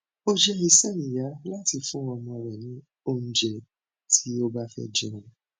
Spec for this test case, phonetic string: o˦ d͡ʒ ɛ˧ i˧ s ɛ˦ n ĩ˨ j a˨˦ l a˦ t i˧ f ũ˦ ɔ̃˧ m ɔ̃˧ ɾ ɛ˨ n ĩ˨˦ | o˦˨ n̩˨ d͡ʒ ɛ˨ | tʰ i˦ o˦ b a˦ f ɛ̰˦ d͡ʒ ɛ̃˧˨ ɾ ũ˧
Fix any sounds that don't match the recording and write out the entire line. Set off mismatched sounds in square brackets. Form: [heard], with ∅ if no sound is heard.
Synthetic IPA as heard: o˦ d͡ʒ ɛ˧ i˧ s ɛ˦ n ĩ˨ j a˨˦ l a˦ t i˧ f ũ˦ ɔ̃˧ m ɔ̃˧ ɾ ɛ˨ n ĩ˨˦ | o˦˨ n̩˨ d͡ʒ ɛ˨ | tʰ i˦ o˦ b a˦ f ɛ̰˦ d͡ʒ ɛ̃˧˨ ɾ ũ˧